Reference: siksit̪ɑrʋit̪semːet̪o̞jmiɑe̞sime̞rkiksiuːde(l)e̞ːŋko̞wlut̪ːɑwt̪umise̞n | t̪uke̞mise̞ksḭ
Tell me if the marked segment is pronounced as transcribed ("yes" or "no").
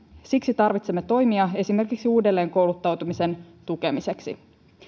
no